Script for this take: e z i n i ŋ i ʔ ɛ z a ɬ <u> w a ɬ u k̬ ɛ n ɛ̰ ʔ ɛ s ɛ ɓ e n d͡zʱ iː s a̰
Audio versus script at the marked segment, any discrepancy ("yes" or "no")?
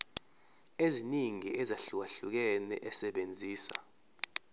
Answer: no